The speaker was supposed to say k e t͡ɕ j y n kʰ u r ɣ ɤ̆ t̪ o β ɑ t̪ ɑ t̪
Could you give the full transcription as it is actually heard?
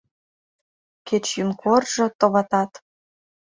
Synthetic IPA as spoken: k e t͡ɕ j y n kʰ o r ʒ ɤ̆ t̪ o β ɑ t̪ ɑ t̪